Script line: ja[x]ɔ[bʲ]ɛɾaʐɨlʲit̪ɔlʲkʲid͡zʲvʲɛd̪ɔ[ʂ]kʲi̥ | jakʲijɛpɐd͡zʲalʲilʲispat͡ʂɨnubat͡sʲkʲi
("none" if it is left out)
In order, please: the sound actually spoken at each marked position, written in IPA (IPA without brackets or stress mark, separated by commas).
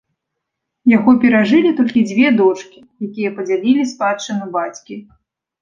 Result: ɣ, pʲ, t͡ʂ